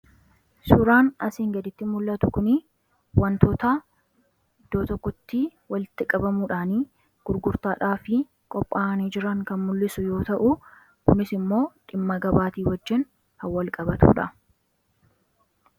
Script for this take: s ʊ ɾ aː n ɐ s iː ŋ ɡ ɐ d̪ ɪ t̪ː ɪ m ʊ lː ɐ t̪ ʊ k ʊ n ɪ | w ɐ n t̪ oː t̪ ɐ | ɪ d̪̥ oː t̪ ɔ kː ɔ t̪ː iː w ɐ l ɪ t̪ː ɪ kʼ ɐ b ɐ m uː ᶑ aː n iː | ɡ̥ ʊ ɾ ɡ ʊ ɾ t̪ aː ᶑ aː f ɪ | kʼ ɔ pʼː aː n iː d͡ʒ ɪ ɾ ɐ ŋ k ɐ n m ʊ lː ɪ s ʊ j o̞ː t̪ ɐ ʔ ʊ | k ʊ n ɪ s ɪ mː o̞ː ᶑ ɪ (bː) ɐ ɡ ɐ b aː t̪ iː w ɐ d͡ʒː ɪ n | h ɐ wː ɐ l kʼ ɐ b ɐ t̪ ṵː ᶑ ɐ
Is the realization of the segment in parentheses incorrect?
yes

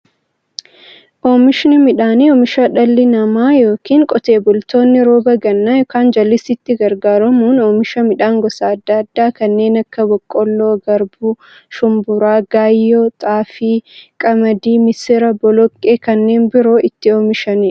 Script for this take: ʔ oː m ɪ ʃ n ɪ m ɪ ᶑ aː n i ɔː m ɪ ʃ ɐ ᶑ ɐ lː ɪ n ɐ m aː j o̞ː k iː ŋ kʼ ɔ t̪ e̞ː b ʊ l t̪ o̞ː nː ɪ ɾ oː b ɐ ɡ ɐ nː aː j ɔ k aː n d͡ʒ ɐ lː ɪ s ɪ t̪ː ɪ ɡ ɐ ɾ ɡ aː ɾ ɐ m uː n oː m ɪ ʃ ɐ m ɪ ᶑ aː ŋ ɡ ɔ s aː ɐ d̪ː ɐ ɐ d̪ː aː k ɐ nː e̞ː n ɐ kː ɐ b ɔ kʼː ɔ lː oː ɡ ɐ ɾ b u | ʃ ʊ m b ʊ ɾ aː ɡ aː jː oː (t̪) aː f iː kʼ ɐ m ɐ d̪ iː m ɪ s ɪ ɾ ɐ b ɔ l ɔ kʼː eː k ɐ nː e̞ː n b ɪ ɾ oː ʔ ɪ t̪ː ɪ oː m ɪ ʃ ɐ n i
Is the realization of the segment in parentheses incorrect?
yes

